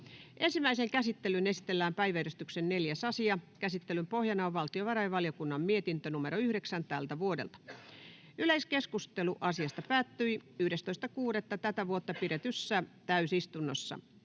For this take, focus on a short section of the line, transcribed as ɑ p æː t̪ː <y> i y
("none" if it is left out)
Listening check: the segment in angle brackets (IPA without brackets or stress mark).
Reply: y